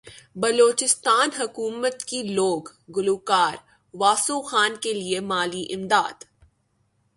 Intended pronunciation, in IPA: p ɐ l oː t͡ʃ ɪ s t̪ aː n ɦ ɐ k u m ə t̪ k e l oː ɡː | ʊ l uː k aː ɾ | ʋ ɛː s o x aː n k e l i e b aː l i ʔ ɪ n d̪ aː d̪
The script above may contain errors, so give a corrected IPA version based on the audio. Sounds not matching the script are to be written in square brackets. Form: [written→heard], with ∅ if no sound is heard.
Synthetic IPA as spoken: [p→b] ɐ l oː t͡ʃ ɪ s t̪ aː n ɦ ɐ k [u→uː] m ə t̪ k [e→i] l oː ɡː | ʊ l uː k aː ɾ | ʋ [ɛː→aː] s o x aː n k e l i e [b→m] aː l i ʔ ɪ [n→m] d̪ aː d̪